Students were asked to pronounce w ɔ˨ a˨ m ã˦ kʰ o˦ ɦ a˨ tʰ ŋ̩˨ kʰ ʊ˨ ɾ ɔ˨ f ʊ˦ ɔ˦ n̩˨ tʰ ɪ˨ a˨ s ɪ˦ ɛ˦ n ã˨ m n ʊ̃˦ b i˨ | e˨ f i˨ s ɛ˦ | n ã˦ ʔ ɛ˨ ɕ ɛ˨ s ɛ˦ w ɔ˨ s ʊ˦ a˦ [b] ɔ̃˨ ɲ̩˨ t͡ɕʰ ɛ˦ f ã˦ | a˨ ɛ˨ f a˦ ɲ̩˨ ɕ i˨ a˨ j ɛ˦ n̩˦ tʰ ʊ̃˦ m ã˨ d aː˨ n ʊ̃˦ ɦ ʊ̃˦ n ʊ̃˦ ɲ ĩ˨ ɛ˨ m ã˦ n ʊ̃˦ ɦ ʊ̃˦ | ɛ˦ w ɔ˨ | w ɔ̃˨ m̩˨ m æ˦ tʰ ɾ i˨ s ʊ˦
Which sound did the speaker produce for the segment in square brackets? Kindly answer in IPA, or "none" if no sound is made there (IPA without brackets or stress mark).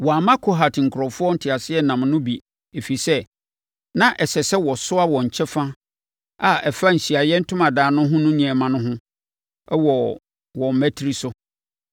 w